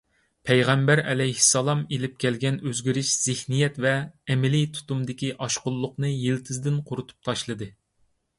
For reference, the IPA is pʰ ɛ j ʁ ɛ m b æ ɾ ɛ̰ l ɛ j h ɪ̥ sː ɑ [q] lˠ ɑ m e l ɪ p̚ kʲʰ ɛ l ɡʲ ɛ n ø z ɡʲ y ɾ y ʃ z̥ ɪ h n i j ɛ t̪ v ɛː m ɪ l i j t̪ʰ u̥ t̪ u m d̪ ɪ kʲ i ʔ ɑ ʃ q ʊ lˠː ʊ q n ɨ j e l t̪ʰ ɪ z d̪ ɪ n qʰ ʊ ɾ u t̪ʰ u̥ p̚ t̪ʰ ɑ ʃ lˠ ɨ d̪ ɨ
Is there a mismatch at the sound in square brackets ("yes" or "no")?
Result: yes